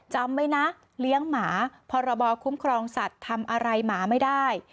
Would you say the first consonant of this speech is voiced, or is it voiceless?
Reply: voiceless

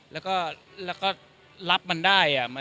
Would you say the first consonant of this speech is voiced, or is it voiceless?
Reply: voiced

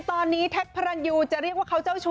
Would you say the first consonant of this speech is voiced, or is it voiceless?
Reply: voiceless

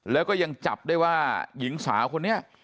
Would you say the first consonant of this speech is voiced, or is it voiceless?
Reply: voiced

